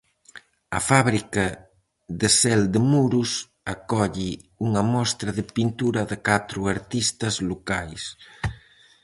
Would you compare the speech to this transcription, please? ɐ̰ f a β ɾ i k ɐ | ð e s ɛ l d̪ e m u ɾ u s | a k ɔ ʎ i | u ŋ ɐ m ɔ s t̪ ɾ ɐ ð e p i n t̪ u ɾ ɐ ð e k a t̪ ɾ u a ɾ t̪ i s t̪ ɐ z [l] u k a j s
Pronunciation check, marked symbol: correct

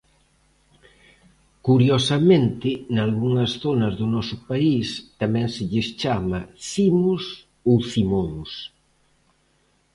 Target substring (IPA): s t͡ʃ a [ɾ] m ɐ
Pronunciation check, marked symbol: incorrect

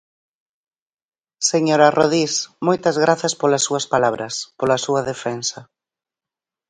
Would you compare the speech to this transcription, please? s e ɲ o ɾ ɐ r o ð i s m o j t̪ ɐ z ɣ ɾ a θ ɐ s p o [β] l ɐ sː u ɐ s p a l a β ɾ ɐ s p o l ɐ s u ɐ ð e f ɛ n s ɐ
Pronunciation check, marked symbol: incorrect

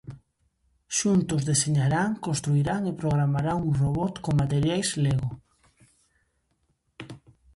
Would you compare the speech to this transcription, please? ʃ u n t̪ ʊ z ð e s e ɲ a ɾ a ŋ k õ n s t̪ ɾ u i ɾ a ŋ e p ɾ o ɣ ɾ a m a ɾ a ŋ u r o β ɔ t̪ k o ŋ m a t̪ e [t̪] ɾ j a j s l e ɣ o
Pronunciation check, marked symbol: incorrect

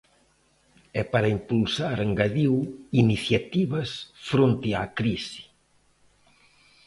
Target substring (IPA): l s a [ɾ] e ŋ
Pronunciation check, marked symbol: correct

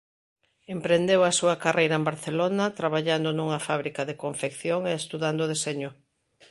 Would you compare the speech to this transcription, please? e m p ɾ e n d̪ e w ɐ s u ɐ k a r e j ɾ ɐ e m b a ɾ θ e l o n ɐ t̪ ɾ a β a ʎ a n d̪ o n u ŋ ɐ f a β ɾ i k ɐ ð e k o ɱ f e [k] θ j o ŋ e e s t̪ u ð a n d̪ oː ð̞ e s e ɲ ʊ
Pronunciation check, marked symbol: correct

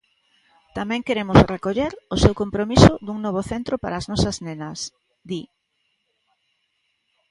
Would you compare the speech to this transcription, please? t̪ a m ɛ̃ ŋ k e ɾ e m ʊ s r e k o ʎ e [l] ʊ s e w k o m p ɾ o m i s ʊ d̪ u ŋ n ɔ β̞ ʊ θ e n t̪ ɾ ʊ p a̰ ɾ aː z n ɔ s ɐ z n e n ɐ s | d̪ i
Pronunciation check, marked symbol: incorrect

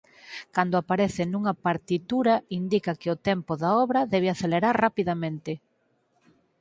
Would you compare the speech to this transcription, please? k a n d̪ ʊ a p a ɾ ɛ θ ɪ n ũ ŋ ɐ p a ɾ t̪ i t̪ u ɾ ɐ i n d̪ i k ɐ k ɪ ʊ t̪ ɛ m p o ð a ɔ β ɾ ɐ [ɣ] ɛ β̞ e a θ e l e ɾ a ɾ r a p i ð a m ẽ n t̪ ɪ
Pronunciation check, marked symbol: incorrect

